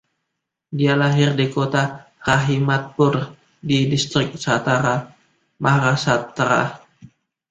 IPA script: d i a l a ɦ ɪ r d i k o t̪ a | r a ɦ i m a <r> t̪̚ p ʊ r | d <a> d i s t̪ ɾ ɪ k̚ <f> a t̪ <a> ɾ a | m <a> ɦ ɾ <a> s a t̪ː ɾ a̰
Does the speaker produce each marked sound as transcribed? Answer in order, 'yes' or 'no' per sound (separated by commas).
no, no, no, yes, yes, yes